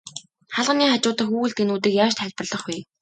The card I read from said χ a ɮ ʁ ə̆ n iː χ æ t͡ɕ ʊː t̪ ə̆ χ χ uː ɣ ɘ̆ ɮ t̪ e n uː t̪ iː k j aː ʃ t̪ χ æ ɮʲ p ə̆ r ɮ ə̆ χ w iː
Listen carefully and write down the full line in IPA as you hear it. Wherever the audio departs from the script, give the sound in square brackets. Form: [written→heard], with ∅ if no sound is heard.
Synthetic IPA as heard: χ a ɮ ʁ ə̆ n iː χ [æ→a] t͡ɕ ʊː t̪ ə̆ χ [χ→x] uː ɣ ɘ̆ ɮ t̪ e n uː t̪ iː k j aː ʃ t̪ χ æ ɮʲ p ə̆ r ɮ ə̆ χ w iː